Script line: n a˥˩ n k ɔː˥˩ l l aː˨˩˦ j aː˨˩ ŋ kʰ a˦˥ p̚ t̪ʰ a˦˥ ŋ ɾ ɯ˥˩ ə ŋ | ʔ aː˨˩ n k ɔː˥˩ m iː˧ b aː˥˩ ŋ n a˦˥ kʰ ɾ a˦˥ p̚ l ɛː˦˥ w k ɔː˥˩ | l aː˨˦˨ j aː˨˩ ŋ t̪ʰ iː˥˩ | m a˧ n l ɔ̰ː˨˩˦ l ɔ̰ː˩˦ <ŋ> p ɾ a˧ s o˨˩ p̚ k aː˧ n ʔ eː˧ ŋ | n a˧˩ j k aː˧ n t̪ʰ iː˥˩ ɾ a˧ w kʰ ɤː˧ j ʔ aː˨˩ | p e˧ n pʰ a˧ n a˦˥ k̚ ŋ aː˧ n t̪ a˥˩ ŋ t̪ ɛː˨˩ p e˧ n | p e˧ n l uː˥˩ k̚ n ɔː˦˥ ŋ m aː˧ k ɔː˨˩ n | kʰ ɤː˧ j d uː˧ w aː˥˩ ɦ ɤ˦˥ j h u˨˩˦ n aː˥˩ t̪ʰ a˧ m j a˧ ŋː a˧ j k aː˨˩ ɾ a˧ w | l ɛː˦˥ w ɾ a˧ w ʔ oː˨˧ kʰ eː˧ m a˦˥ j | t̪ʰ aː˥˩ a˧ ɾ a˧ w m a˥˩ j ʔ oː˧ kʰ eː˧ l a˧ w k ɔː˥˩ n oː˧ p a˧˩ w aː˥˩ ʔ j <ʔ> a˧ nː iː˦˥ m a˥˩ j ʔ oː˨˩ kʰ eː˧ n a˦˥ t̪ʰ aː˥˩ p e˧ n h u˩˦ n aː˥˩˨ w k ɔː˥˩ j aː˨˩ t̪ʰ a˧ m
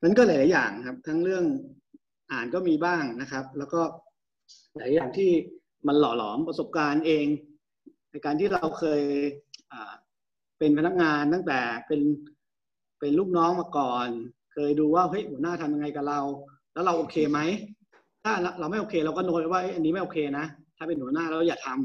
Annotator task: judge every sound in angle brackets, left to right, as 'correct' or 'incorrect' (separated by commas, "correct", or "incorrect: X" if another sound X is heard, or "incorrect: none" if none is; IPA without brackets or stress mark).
incorrect: m, correct